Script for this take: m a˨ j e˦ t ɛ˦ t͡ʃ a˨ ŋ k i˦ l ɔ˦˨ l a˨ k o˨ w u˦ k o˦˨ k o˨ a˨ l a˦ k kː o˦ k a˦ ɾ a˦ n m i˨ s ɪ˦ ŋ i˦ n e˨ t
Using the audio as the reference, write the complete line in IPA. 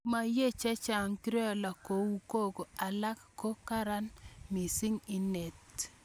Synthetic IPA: m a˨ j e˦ t͡ʃ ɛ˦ t͡ʃ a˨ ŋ k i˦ ɾ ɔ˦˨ l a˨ k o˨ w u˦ k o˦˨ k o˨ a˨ l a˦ k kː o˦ k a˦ ɾ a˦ n m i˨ s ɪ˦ ŋ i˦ n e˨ t